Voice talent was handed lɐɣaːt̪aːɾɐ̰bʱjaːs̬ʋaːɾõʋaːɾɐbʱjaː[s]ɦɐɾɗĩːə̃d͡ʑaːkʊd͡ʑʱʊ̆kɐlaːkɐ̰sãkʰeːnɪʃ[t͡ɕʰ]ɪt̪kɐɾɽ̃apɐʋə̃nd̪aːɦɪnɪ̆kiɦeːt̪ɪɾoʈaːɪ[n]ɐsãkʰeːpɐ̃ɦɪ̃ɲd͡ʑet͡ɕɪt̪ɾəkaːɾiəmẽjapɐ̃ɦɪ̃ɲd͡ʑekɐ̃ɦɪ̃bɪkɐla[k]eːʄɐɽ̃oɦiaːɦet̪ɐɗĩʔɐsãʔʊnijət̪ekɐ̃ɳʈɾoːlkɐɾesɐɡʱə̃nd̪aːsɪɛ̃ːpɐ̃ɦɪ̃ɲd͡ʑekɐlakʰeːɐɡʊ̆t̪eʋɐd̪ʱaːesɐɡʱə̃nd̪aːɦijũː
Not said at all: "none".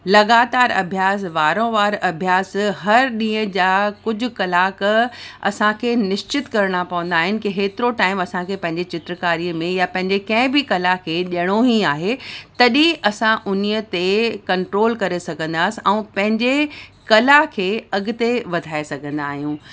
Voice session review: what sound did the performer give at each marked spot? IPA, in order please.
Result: s, t͡ɕ, m, kʰ

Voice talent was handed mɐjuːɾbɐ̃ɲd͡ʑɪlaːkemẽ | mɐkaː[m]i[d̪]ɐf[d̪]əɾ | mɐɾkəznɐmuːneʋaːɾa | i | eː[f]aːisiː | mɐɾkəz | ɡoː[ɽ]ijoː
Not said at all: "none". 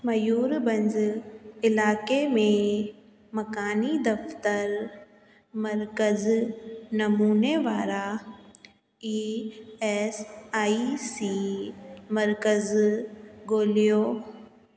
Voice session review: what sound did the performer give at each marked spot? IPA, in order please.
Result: n, d̪, t̪, s, l

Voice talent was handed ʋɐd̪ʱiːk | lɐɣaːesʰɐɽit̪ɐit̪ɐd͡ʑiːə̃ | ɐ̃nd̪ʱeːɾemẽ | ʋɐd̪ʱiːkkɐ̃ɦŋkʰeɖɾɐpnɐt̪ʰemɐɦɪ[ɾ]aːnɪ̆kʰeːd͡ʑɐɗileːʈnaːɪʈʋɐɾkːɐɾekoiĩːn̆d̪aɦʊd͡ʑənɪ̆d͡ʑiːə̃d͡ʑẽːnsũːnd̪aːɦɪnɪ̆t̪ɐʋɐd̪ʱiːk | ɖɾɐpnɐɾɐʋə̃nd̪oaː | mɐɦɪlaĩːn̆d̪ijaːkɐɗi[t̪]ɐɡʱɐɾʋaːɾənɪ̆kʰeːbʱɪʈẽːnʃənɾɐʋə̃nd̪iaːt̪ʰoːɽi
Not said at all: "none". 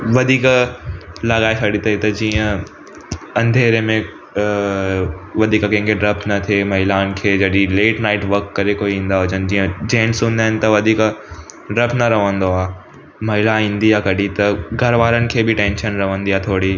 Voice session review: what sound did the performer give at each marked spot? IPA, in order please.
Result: l, t̪

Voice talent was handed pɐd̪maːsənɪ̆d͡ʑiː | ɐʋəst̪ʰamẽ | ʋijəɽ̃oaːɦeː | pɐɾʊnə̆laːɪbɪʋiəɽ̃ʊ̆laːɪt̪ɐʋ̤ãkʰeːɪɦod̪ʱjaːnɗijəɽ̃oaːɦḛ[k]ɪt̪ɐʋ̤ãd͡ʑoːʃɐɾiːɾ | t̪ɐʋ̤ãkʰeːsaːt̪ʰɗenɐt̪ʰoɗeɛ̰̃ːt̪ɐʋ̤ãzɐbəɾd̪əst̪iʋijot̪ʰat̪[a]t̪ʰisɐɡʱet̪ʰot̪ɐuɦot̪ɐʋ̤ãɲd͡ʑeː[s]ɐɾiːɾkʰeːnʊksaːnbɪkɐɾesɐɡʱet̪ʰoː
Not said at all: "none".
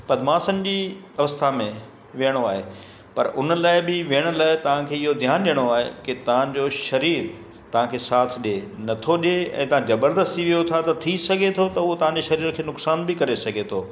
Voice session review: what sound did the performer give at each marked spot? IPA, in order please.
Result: k, ɐ, ʃ

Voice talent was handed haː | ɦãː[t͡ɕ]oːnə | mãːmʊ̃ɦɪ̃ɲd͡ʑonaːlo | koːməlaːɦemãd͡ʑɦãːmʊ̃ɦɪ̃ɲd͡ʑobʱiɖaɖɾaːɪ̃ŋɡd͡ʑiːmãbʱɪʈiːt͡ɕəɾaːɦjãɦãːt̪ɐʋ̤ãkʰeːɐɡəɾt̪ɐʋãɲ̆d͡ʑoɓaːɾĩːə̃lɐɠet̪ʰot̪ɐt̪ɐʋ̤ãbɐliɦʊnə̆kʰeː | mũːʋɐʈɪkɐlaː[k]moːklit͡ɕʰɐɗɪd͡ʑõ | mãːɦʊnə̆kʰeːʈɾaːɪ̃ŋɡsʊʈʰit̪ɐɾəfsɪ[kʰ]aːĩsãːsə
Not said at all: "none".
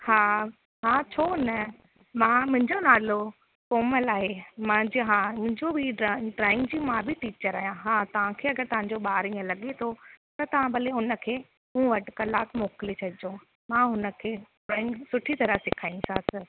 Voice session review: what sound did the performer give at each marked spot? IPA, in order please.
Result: t͡ɕʰ, k, kʰ

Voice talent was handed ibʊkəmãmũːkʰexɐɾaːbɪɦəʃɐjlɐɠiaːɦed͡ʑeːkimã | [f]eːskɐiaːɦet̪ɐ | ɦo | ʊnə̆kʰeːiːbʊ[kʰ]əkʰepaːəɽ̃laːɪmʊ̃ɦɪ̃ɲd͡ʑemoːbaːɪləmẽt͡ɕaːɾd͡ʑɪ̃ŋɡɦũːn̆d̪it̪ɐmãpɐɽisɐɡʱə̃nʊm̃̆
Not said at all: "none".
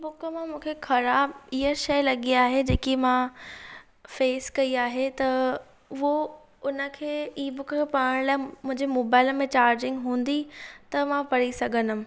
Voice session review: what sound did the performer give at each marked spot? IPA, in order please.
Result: f, k

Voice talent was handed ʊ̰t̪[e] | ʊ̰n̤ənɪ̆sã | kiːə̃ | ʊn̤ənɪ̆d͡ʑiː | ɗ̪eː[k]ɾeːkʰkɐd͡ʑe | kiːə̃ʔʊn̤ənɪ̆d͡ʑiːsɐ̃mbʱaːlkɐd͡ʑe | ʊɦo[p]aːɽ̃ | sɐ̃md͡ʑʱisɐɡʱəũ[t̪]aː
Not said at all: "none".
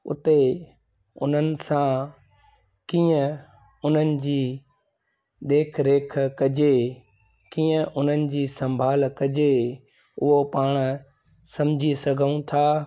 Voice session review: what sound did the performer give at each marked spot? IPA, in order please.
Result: e, kʰ, p, t̪ʰ

